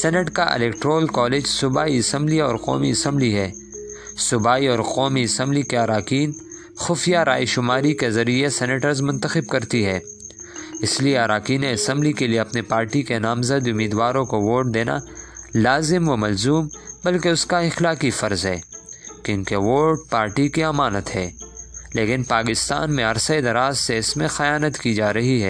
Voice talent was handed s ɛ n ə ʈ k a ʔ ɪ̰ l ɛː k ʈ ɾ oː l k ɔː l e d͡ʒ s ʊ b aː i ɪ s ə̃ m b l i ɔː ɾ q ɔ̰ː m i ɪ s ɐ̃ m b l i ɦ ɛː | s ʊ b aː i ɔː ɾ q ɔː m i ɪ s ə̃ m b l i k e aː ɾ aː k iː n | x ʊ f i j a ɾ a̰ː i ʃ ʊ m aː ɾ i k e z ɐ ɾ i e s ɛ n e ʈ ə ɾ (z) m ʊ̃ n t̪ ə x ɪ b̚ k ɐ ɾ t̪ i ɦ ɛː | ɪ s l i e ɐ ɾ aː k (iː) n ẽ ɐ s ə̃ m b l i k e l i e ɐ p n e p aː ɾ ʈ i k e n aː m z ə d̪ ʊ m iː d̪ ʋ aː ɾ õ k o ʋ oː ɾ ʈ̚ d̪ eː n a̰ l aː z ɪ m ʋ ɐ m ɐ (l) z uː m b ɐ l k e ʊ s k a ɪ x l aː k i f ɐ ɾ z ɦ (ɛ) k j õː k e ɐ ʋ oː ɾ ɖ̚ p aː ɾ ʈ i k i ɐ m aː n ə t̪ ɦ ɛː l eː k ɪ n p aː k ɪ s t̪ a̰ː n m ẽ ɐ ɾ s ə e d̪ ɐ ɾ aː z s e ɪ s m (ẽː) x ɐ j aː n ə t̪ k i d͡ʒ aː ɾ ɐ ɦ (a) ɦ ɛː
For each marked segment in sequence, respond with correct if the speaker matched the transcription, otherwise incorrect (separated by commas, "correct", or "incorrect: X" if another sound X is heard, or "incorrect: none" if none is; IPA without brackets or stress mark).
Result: correct, correct, correct, incorrect: ɛː, incorrect: ẽ, incorrect: i